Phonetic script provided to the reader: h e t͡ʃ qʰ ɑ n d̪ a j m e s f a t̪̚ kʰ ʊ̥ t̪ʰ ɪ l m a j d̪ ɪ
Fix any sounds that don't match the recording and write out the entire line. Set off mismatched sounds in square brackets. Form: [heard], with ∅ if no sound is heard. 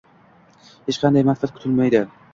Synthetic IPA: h e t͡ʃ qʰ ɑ n d̪ a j m [a] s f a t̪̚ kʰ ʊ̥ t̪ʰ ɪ l m a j d̪ ɪ

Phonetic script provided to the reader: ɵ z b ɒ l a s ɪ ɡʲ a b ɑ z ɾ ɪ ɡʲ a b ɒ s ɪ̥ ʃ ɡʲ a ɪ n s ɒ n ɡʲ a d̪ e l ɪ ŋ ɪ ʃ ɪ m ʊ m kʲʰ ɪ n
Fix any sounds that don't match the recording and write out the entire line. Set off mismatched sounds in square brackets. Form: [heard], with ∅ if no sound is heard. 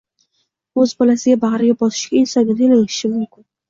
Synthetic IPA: ɵ z b ɒ l a s ɪ ɡʲ a b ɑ [ʁ] ɾ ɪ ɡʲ a b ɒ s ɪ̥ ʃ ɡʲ a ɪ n s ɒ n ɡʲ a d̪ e l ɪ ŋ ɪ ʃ ɪ m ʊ m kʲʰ ɪ n

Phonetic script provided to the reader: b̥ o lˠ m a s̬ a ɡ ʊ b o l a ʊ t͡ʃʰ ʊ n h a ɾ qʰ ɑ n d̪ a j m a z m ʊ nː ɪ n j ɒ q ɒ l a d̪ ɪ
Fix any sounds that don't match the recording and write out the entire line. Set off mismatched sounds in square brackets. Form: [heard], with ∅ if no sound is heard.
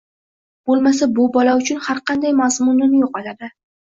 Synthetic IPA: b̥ o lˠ m a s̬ a [b] ʊ b [ɒ] l a ʊ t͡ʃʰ ʊ n h a ɾ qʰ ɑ n d̪ a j m a z m ʊ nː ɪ n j [o] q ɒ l a d̪ ɪ

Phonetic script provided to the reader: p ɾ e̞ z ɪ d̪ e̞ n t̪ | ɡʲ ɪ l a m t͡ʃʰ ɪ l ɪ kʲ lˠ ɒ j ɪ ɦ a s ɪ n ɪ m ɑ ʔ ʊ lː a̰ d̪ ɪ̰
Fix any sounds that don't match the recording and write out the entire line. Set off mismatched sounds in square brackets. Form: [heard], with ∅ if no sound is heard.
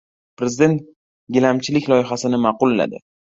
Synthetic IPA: p ɾ e̞ z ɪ d̪ e̞ n t̪ | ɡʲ ɪ l a m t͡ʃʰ ɪ l ɪ kʲ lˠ ɒ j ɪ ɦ a s ɪ n ɪ m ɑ [q] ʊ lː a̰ d̪ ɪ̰

